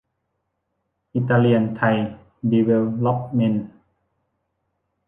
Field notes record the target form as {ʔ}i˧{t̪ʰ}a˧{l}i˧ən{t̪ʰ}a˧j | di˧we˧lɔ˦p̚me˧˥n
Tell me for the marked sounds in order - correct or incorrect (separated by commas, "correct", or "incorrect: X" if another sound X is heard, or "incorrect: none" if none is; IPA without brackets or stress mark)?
correct, incorrect: t̪, correct, correct